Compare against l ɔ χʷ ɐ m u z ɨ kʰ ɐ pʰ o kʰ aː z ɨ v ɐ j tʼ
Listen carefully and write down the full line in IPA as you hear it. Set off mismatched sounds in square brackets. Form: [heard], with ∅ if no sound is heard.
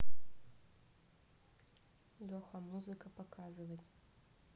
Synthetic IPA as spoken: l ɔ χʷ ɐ m u z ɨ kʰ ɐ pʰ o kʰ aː z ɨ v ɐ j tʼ